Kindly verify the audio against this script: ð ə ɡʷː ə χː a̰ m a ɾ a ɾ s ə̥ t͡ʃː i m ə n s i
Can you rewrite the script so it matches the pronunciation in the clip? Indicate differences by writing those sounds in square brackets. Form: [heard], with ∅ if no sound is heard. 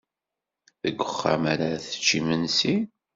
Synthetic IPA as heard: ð ə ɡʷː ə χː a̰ m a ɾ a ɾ [θ] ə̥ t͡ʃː i m ə n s i